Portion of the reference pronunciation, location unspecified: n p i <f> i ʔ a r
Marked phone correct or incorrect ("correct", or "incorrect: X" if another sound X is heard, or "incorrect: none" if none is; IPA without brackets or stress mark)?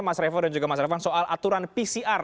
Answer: incorrect: s